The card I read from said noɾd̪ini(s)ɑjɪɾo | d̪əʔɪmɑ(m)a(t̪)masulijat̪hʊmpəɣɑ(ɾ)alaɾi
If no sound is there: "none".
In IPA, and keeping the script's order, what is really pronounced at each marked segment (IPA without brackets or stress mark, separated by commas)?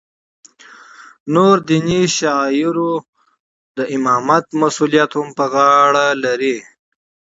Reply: ʃ, m, t̪, ɽ